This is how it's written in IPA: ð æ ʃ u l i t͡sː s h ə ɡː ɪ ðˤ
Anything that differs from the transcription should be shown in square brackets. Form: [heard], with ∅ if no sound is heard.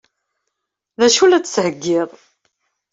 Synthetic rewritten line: ð æ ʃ u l [æ] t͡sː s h ə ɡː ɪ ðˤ

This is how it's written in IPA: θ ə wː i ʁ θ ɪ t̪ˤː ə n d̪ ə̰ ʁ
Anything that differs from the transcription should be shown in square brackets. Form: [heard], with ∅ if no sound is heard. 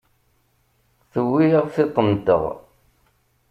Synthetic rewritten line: θ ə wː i ʁ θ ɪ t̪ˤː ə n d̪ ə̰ ʁ

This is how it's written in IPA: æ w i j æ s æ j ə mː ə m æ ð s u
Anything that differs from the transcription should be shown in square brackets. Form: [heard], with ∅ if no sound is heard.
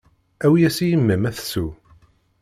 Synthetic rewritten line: æ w i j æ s [i] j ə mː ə m æ [θ] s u

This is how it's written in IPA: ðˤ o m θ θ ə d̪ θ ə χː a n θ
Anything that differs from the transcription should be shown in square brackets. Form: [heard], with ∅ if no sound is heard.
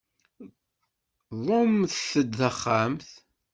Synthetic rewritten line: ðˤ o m θ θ ə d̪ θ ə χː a [m] θ

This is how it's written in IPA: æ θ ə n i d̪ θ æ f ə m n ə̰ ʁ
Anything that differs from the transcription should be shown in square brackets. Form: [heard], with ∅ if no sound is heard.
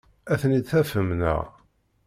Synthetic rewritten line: æ θ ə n i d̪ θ æ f ə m n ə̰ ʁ

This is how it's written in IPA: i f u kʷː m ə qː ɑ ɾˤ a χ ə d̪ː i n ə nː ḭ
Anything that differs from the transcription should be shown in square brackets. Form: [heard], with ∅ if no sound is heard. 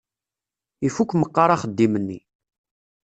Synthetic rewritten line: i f u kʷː m ə qː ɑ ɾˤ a χ ə d̪ː i [m] ə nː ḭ

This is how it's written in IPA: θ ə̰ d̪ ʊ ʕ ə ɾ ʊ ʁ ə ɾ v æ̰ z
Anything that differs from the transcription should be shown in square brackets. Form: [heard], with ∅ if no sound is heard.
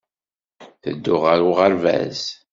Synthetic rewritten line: θ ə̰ [d̪ː] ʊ [ʁ] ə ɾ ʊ ʁ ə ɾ v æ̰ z

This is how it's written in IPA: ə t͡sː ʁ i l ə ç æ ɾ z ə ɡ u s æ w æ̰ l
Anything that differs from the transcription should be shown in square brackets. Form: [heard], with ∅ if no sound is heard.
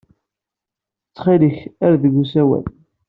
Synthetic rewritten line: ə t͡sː [χ] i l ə ç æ ɾ [ð] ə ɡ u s æ w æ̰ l

